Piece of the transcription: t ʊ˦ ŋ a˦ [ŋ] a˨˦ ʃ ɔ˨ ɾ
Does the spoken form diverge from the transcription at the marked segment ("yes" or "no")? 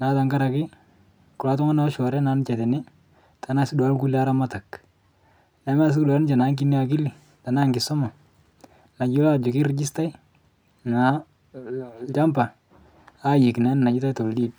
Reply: yes